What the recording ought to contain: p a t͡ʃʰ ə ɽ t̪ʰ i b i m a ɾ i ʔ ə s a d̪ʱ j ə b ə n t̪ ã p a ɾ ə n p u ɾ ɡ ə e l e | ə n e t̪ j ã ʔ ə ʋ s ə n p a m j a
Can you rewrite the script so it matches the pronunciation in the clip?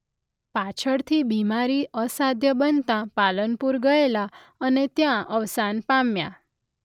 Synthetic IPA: p a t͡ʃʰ ə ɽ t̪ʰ i b i m a ɾ i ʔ ə s a d̪ʱ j ə b ə n t̪ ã p a l ə n p u ɾ ɡ ə e l a | ə n e t̪ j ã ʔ ə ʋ s a n p a m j a